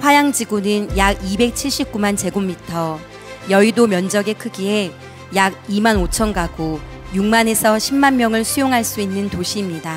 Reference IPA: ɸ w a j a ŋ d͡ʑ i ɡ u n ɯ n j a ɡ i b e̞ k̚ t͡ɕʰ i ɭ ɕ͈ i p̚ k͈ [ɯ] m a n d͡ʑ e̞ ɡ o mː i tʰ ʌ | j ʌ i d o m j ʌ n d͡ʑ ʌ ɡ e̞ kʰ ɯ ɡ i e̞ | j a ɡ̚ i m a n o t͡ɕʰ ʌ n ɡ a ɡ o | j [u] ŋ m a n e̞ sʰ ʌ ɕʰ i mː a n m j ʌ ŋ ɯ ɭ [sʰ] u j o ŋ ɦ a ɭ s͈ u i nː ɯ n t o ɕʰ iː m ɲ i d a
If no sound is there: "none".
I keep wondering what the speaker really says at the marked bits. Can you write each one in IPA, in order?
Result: u, u, sʰ

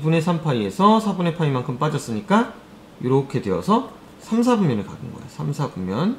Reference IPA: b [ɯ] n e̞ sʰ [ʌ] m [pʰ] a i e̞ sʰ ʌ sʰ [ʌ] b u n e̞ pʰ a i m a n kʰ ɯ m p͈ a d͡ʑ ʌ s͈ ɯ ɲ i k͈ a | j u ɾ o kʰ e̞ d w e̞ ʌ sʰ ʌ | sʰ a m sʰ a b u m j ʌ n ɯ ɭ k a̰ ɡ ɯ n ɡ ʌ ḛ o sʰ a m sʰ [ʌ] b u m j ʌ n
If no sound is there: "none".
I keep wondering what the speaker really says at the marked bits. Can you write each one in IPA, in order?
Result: u, a, pʰ, a, a

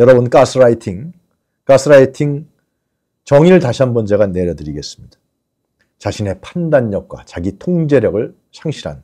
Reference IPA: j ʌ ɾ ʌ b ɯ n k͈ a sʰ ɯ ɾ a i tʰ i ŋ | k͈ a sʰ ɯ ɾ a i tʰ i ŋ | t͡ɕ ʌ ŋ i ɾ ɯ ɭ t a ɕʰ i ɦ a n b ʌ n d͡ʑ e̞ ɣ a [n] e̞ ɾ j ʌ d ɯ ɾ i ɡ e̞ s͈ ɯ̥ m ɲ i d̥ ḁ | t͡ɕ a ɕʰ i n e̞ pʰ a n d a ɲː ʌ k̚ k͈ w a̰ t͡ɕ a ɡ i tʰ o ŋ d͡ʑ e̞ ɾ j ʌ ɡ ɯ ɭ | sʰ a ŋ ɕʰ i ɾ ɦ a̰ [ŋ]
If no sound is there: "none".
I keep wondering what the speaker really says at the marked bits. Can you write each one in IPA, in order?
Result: n, n

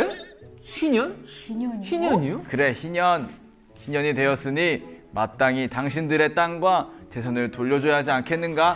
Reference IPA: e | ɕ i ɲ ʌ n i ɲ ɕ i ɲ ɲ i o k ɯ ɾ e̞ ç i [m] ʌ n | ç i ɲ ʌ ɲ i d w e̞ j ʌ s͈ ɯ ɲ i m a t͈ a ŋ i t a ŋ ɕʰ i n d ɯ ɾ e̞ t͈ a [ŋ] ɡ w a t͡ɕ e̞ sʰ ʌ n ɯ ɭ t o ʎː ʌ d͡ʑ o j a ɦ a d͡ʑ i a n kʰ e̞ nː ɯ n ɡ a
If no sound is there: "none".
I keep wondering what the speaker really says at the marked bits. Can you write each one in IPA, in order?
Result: ɲ, ŋ

